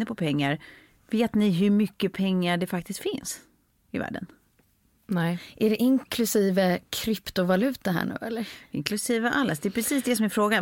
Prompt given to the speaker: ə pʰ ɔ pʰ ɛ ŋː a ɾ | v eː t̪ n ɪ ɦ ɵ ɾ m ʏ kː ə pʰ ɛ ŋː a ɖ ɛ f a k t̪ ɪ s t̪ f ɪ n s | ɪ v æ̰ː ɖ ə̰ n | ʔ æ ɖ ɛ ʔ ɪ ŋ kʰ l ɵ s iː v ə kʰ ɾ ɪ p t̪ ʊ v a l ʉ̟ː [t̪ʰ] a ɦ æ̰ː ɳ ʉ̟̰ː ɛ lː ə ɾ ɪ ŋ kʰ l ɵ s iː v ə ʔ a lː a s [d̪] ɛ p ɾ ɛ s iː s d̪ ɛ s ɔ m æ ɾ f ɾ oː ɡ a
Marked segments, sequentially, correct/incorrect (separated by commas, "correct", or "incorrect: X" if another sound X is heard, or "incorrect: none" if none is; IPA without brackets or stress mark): incorrect: t̪, correct